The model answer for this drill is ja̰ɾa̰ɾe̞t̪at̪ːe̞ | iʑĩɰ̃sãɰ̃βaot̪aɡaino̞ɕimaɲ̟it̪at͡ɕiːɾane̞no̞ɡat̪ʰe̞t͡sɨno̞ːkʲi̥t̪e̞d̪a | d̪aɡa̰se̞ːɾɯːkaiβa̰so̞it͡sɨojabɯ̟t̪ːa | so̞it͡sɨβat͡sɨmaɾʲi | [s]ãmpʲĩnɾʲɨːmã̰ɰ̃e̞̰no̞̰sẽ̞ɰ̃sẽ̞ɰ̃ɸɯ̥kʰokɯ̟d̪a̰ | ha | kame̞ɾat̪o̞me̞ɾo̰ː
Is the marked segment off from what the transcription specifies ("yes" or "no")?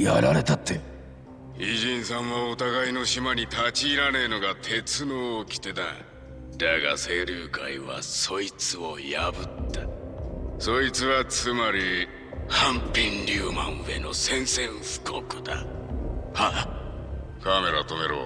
yes